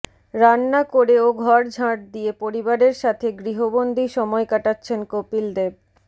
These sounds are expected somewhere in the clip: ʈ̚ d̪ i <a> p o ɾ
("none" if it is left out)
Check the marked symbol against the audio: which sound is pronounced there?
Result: e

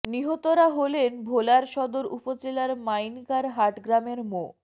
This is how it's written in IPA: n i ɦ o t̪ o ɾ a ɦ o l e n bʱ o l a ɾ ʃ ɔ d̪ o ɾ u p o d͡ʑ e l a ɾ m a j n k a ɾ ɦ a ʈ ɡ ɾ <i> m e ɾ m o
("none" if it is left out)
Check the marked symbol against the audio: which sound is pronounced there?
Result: a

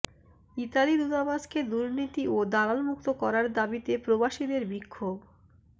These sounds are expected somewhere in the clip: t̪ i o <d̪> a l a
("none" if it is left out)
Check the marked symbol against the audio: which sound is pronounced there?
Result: d̪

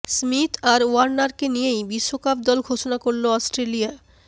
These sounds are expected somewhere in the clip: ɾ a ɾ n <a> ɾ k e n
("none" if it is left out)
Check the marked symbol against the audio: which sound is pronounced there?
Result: a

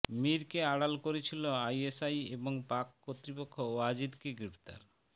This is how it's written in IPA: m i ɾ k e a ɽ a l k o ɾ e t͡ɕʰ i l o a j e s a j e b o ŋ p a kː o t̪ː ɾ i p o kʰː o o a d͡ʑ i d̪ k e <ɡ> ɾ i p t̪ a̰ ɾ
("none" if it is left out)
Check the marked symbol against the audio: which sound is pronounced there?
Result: ɡ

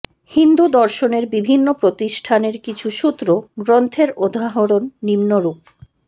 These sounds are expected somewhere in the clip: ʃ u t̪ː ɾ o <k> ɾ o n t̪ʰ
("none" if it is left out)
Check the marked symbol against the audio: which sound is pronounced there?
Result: ɡ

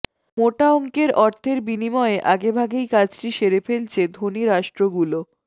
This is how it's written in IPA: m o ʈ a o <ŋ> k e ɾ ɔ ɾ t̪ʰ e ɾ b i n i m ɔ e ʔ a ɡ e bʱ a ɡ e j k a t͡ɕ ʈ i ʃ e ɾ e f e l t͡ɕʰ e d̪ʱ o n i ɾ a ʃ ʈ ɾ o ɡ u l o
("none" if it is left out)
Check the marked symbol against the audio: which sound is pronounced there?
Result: ŋ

